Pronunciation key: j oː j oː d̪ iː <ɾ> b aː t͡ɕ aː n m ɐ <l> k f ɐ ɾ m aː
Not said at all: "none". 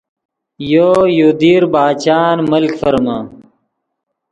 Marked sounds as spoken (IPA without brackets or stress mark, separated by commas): ɾ, l